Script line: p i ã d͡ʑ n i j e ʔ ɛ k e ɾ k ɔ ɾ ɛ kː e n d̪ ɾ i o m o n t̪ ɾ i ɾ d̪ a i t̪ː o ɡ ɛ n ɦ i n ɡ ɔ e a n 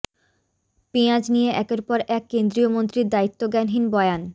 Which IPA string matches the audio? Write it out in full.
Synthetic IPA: p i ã d͡ʑ n i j e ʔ ɛ k e ɾ p ɔ ɾ ɛ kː e n d̪ ɾ i o m o n t̪ ɾ i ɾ d̪ a i t̪ː o ɡ ɛ n ɦ i n b ɔ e a n